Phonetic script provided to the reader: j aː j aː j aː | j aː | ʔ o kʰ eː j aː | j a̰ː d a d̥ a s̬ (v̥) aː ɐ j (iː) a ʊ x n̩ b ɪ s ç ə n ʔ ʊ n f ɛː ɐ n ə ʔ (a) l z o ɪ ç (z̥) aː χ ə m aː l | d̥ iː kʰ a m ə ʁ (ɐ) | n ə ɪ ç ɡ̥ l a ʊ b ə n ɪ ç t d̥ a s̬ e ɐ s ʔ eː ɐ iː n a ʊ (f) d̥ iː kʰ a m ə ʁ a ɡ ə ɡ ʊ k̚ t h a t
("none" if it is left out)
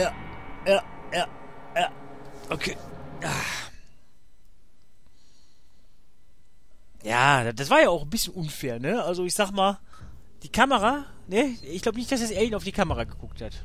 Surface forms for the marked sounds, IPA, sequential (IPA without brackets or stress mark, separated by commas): v̥, aː, a, z̥, a, f